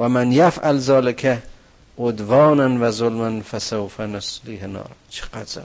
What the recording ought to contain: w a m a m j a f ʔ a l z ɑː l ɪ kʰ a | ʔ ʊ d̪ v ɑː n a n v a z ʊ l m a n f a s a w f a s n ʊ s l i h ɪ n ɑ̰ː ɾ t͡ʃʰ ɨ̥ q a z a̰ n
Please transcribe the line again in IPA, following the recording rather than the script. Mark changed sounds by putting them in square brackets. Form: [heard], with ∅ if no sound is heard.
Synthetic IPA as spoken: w a m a [n] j a f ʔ a l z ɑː l ɪ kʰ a | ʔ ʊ d̪ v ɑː n a n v a z ʊ l m a n f a s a w f a [∅] n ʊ s l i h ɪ n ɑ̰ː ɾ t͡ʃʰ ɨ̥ q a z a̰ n